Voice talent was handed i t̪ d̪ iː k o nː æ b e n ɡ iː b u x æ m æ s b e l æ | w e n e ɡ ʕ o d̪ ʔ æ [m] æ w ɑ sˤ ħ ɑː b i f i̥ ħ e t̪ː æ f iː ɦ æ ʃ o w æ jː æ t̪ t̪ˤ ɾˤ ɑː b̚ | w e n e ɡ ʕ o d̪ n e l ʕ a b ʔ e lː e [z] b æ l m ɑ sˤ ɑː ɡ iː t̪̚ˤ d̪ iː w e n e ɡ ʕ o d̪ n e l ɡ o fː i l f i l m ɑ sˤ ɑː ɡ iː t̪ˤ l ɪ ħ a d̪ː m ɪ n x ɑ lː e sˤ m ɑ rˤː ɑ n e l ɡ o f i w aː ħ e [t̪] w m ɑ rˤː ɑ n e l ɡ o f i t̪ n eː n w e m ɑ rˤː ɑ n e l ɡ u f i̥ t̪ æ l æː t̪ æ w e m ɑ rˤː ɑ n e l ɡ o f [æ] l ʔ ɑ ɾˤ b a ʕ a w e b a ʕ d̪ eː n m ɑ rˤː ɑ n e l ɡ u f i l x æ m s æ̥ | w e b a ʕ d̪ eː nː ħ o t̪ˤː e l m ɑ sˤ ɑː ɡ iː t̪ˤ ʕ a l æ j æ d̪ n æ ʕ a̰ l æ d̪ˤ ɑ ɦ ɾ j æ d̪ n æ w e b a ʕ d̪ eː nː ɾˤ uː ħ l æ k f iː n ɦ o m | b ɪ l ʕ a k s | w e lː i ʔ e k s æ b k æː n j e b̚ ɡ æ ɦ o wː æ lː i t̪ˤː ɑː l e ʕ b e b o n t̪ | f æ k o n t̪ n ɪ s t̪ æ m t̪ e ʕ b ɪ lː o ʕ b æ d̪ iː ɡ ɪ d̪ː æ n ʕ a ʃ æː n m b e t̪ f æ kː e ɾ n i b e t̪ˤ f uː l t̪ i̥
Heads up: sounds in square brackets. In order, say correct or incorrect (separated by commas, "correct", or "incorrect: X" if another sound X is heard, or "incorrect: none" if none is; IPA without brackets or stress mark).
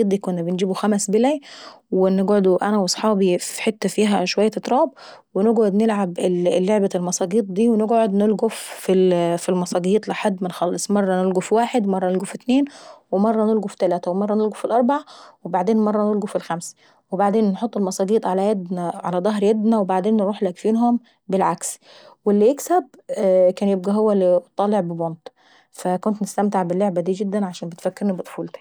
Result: incorrect: n, incorrect: ʕ, incorrect: d̪, incorrect: i